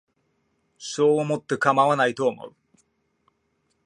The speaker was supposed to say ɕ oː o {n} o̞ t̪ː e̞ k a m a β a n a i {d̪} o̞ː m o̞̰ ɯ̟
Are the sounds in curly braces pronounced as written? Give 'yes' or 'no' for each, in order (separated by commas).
no, no